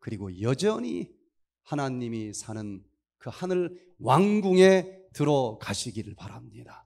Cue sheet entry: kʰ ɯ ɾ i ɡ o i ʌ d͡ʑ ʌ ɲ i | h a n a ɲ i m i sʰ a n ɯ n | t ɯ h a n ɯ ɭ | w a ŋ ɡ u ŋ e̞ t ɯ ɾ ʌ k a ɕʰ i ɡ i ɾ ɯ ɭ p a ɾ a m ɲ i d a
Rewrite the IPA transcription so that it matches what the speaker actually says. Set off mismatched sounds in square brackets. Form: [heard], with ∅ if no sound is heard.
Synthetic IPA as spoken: [k] ɯ ɾ i ɡ o [j] ʌ d͡ʑ ʌ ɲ i | h a n a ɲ i m i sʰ a n ɯ n | [k] ɯ h a n ɯ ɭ | w a ŋ ɡ u ŋ e̞ t ɯ ɾ ʌ k a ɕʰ i ɡ i ɾ ɯ ɭ p a ɾ a m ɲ i d a